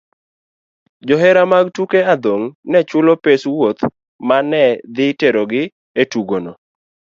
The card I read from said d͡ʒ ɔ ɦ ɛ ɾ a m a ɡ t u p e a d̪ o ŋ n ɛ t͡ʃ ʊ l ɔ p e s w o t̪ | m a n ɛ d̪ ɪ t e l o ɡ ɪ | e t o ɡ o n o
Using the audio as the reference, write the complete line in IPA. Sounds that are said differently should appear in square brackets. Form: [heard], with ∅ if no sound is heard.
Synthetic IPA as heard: d͡ʒ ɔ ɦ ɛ ɾ a m a ɡ t u [k] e a d̪ o ŋ n ɛ t͡ʃ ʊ l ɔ p e s w o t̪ | m a n ɛ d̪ ɪ t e [ɾ] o ɡ ɪ | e t [u] ɡ o n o